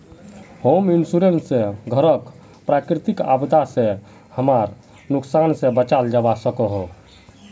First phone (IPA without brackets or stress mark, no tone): h